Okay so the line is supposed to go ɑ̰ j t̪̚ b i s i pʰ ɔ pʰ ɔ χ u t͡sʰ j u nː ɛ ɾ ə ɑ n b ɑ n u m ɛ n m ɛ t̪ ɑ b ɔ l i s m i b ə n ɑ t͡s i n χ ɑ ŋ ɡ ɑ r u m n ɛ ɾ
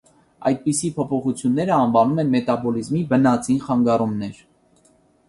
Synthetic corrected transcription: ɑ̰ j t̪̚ p i s i pʰ ɔ pʰ ɔ χ u t͡sʰ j u nː ɛ ɾ ə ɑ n v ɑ n u m ɛ n m ɛ t̪ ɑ b ɔ l i z m i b ə n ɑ t͡s i n χ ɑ ŋ ɡ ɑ r u m n ɛ ɾ